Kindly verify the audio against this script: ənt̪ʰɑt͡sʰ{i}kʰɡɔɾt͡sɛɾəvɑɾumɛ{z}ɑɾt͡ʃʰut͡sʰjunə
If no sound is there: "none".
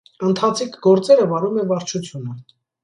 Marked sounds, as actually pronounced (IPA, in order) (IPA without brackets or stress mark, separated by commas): i, v